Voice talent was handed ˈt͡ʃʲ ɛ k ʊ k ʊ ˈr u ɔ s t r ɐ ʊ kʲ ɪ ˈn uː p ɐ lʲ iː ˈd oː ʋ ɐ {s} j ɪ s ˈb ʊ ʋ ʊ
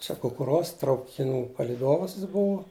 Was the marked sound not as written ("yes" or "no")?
no